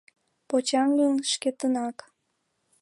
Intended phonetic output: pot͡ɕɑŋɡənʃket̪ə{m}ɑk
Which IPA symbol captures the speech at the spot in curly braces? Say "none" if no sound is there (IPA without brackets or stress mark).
n